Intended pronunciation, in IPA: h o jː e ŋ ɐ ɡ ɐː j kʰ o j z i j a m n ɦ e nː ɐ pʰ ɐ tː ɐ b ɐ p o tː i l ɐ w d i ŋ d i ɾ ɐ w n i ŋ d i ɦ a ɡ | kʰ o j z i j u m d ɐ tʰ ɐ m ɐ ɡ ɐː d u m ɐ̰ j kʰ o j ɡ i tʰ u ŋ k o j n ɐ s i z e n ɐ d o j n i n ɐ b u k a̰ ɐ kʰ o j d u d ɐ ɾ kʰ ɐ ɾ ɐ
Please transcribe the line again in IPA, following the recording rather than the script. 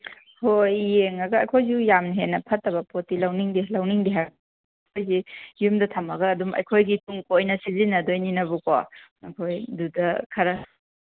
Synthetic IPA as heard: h o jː e ŋ ɐ ɡ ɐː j kʰ o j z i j a m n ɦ e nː ɐ pʰ ɐ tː ɐ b ɐ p o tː i l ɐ w n i ŋ d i l ɐ w n i ŋ d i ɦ a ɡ | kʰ o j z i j u m d ɐ tʰ ɐ m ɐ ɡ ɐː d u m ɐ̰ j kʰ o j ɡ i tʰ u ŋ k o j n ɐ s i z i n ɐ d o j n i n ɐ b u k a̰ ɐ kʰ o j d u d ɐ kʰ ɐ ɾ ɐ